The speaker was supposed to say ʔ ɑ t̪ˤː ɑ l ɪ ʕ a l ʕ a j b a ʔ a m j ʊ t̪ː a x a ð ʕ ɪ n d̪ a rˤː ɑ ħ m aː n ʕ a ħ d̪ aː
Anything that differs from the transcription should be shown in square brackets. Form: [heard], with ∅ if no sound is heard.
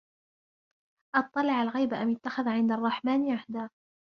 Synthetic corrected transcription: ʔ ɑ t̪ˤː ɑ l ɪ ʕ a l [ɣ] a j b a ʔ a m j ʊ t̪ː a x a ð ʕ ɪ n d̪ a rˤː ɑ ħ m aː n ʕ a ħ d̪ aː